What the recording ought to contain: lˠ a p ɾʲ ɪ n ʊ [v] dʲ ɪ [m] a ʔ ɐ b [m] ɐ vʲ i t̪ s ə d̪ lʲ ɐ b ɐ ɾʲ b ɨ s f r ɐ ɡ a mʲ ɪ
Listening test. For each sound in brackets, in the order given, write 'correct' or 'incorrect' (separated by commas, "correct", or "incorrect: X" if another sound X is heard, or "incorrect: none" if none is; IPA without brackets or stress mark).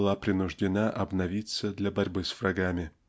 incorrect: ʐ, incorrect: n, incorrect: n